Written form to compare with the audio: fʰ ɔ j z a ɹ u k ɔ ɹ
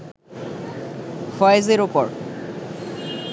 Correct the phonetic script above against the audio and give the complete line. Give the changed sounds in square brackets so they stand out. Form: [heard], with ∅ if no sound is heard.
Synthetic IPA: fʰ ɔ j z [e] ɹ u [p] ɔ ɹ

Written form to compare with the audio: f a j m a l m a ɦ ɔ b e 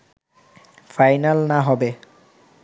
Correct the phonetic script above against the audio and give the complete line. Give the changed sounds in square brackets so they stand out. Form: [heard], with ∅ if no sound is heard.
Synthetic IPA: f a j [n] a l [n] a ɦ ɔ b e

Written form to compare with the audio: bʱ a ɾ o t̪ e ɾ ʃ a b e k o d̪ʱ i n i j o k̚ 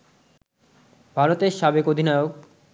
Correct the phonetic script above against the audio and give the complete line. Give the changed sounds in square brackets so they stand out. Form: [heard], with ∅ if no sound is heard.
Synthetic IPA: bʱ a ɾ o t̪ e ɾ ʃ a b e k o d̪ʱ i n [a] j o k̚

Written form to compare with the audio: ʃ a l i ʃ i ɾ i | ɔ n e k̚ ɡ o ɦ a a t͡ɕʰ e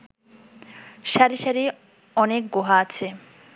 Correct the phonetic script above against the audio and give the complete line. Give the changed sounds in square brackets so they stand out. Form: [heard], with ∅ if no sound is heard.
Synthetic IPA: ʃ a [ɾ] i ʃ [a] ɾ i | ɔ n e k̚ ɡ o ɦ a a t͡ɕʰ e

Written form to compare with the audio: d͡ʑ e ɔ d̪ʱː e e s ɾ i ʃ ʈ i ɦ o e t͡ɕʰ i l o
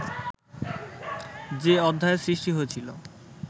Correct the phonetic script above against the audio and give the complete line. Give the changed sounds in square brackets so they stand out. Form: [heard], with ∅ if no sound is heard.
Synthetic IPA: d͡ʑ e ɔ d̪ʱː [a] e s ɾ i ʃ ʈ i ɦ o e t͡ɕʰ i l o

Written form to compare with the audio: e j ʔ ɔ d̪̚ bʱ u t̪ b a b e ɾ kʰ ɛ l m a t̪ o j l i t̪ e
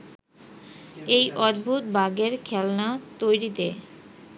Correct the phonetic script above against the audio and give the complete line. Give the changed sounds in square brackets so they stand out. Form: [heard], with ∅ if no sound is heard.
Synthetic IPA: e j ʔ ɔ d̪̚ bʱ u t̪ b a [ɡ] e ɾ kʰ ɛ l [n] a t̪ o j [ɾ] i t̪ e

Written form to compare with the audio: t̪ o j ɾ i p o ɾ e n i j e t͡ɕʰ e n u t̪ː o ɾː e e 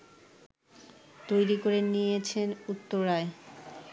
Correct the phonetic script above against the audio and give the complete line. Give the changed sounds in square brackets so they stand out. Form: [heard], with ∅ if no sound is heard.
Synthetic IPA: t̪ o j ɾ i [k] o ɾ e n i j e t͡ɕʰ e n u t̪ː o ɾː [a] e

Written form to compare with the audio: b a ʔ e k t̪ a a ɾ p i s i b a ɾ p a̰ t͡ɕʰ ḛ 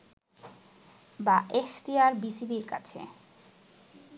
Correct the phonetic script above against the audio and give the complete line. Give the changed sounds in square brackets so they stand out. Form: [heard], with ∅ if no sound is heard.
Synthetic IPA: b a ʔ e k t̪ [i] a ɾ [b] i s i b [i] ɾ [k] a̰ t͡ɕʰ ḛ

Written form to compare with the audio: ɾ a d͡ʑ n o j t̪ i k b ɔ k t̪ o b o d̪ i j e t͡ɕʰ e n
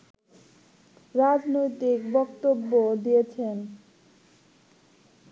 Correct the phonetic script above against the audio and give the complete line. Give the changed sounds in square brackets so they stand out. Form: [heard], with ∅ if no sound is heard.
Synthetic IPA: ɾ a d͡ʑ n o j t̪ i k b ɔ k t̪ o [bː] o d̪ i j e t͡ɕʰ e n

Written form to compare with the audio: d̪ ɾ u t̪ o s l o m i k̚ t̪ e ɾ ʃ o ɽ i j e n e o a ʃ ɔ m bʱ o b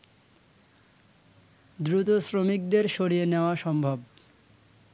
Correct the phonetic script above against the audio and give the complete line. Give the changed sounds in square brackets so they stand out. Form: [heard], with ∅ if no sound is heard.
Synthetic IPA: d̪ ɾ u t̪ o s [ɾ] o m i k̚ [d̪] e ɾ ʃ o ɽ i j e n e o a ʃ ɔ m bʱ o b

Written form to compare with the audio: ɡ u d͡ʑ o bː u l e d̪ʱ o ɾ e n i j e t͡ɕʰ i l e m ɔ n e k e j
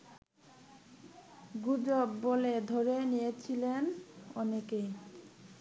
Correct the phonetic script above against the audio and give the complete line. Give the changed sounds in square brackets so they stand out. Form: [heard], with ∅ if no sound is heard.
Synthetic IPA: ɡ u d͡ʑ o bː [o] l e d̪ʱ o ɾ e n i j e t͡ɕʰ i l e [n] ɔ n e k e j

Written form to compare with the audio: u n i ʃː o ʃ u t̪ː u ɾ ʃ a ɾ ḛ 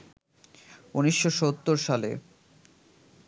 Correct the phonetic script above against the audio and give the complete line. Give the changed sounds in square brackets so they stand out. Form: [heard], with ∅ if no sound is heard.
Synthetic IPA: u n i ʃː o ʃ [o] t̪ː [o] ɾ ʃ a [l] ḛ

